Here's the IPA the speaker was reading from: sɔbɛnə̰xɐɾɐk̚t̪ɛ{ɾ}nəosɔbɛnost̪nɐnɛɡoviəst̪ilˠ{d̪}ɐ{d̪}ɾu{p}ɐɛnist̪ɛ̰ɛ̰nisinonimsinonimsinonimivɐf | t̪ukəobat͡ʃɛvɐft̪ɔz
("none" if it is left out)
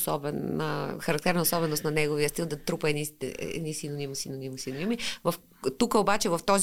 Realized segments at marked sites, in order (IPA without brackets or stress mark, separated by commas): ɾ, d̪, t̪, p